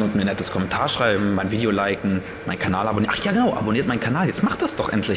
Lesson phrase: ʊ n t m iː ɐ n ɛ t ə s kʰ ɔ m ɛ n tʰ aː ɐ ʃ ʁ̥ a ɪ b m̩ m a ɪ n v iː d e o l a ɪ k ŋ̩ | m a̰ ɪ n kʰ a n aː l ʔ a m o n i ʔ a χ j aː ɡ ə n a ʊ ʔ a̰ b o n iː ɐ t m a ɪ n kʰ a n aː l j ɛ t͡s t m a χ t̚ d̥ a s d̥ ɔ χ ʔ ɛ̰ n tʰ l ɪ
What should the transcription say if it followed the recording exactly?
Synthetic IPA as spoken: ʊ n t m iː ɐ n ɛ t ə s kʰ ɔ m ɛ n tʰ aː ɐ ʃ ʁ̥ a ɪ b m̩ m a ɪ n v iː d e o l a ɪ k ŋ̩ | m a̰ ɪ n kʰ a n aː l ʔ a b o n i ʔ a χ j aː ɡ ə n a ʊ ʔ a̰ b o n iː ɐ t m a ɪ n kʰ a n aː l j ɛ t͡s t m a χ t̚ d̥ a s d̥ ɔ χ ʔ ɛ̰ n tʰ l ɪ